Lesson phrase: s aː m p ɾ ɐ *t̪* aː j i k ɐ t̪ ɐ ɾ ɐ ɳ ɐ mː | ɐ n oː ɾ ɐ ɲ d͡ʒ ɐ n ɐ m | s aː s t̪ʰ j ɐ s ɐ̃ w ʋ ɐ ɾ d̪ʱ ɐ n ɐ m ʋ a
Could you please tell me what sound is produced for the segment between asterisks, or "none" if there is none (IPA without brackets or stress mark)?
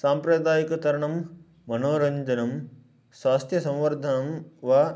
d̪